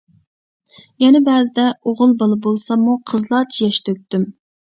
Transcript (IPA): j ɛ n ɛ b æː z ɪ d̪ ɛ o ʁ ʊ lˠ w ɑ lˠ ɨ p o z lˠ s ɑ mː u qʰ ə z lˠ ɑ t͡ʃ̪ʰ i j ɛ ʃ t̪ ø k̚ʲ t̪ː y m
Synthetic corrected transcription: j ɛ n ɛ b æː z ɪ d̪ ɛ o ʁ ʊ lˠ b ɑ lˠ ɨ b o lˠ s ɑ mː u qʰ ə z lˠ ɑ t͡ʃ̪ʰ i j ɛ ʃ t̪ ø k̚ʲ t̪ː y m